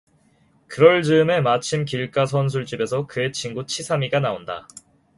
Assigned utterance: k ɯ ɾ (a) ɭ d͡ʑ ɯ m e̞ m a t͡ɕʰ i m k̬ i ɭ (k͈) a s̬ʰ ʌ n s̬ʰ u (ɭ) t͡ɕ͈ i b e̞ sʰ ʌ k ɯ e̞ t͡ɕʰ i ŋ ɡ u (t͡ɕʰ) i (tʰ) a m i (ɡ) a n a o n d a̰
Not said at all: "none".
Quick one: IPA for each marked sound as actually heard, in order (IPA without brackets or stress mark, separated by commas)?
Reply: ʌ, k͈, ɭ, t͡ɕʰ, sʰ, ɡ